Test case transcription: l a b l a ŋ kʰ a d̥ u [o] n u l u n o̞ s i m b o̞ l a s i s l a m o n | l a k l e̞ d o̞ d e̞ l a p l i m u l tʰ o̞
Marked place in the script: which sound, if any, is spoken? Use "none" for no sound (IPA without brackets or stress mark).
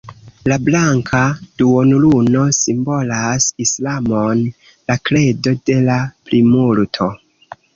o